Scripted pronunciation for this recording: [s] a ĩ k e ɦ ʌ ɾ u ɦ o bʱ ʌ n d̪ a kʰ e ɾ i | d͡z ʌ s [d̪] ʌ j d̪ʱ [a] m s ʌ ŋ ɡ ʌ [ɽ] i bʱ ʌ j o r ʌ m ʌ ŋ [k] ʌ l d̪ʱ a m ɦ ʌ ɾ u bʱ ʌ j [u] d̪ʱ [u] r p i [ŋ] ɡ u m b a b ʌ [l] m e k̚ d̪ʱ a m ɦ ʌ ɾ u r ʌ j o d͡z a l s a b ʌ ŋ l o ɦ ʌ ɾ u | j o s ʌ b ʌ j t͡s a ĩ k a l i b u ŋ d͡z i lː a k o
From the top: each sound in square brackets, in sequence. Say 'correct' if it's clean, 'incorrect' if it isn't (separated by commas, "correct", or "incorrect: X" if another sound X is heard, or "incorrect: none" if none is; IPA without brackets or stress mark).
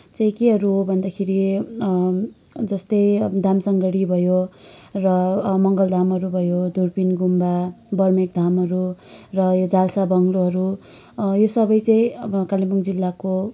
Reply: incorrect: t͡s, incorrect: t̪, correct, correct, incorrect: ɡ, incorrect: o, correct, incorrect: n, incorrect: r